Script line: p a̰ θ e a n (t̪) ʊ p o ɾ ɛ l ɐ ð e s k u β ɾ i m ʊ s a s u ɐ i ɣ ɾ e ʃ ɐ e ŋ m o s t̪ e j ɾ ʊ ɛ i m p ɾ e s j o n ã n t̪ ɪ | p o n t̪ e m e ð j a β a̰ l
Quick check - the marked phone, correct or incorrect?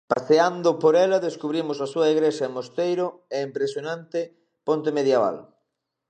incorrect